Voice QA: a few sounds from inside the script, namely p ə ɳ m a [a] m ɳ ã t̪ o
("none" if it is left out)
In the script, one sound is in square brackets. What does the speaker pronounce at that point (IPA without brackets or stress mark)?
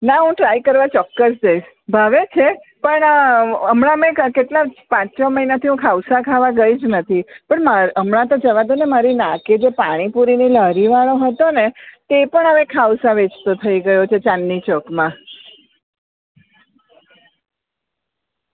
ə